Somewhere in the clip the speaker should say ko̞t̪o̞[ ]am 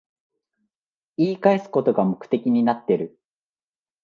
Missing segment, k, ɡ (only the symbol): ɡ